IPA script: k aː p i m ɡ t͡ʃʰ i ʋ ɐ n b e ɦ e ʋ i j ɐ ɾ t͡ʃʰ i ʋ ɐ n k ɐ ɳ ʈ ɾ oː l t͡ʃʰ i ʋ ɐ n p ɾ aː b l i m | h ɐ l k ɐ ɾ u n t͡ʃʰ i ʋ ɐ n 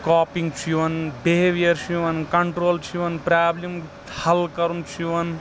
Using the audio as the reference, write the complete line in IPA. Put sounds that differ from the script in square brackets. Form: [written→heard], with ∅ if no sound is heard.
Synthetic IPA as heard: k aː p i [m→ŋ] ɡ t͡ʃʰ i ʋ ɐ n b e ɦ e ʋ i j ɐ ɾ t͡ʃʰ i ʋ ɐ n k ɐ ɳ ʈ ɾ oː l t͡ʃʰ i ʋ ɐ n p ɾ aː b l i m | h ɐ l k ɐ ɾ u n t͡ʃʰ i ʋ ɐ n